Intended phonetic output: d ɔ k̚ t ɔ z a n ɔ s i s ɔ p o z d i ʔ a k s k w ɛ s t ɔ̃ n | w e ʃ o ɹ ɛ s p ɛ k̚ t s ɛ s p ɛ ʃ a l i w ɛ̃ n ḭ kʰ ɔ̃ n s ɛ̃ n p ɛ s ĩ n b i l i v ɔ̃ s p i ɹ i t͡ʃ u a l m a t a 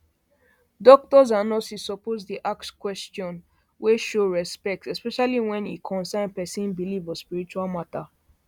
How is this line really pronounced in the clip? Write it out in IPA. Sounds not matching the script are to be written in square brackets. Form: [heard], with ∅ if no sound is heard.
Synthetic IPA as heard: d ɔ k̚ t ɔ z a n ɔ s i s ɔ p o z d i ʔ a k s k w ɛ s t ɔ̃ n | w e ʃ o ɹ ɛ s p ɛ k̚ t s ɛ s p ɛ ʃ a l i w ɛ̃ n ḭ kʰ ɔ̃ n s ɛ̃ n p ɛ s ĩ n b i l i v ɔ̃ s p i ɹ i t͡ʃ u a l m a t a